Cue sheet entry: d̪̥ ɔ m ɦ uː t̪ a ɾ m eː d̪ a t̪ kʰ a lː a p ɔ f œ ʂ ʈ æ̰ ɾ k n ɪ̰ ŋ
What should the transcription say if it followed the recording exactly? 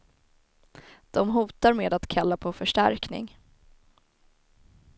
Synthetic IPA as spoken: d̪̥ ɔ m ɦ uː t̪ a ɾ m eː d̪ a t̪ kʰ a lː a pʰ ɔ f œ ʂ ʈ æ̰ ɾ k n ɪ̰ ŋ